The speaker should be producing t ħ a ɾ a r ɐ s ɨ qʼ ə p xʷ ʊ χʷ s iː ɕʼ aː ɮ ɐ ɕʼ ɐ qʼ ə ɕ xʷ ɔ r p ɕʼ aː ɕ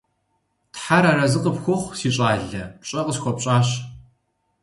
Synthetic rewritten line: t ħ a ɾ a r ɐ z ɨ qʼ ə p xʷ ʊ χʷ s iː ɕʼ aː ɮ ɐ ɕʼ ɐ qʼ ə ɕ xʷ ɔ p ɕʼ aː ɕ